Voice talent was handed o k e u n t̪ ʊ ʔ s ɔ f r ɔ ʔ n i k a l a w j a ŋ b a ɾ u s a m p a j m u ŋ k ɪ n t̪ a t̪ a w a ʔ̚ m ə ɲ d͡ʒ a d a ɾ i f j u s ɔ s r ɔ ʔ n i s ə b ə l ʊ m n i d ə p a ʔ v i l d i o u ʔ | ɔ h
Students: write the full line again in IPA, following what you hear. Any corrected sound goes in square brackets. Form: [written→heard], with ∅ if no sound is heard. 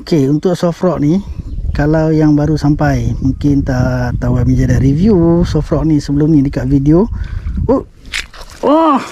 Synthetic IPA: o k e u n t̪ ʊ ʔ s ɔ f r ɔ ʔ n i k a l a w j a ŋ b a ɾ u s a m p a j m u ŋ k ɪ n t̪ a t̪ a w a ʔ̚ m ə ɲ d͡ʒ a d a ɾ i [f→v] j u s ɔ [s→f] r ɔ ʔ n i s ə b ə l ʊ m n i d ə [p→k] a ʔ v i [l→∅] d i o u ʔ | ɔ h